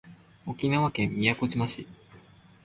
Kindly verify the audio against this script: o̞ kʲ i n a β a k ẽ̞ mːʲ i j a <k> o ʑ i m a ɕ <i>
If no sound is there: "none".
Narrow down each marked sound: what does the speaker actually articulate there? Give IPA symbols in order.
k, i

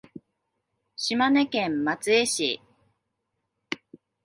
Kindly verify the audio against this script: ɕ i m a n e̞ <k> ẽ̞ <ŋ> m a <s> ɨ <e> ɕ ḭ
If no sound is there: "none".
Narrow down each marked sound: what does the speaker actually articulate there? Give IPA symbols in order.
k, m, t͡s, e

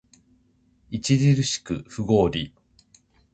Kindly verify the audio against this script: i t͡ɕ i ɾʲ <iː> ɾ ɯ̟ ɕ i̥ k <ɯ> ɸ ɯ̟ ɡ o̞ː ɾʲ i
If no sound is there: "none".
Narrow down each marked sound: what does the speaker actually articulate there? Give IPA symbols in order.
i, ɯ

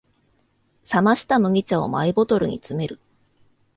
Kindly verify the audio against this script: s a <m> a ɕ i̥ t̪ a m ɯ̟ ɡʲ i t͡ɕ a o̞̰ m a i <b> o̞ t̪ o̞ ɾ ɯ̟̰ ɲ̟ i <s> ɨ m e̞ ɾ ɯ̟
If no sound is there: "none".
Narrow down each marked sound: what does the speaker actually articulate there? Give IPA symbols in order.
m, b, t͡s

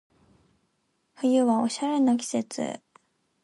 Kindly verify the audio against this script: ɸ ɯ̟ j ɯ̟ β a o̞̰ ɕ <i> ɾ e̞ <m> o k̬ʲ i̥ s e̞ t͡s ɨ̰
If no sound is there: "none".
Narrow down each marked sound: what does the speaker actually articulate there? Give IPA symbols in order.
a, n

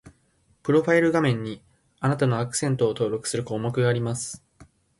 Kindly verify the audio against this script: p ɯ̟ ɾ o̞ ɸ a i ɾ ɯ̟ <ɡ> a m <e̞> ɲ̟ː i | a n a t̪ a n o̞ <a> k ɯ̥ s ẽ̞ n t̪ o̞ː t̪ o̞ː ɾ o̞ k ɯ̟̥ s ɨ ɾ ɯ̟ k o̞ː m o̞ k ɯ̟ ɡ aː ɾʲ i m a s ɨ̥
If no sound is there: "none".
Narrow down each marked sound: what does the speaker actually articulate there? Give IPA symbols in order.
ɡ, ẽ̞, a

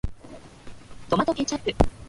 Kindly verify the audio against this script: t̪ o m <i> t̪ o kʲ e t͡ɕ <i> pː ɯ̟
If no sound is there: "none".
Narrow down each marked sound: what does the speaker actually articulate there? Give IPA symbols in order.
a, a

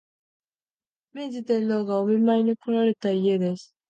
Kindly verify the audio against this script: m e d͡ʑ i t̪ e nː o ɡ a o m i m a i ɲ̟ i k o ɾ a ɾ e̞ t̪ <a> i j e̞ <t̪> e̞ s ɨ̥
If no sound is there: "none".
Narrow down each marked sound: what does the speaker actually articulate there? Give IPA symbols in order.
a, d̪

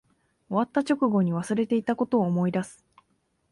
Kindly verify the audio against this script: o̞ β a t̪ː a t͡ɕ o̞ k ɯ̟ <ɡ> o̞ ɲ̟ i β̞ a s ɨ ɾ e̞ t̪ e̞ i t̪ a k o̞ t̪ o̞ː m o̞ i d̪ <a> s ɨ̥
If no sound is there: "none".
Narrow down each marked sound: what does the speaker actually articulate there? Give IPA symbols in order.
ɡ, a

